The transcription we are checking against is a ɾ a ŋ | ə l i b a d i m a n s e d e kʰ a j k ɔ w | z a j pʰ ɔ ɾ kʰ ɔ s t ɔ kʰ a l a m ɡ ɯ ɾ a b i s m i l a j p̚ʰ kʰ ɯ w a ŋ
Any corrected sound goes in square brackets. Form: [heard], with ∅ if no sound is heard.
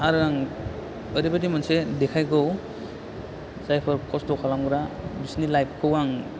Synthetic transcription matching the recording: a ɾ a ŋ | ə [ɾ] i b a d i m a n s e d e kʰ a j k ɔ w | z a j pʰ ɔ ɾ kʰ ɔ s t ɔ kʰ a l a m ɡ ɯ ɾ a b i s [n] i l a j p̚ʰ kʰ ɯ w a ŋ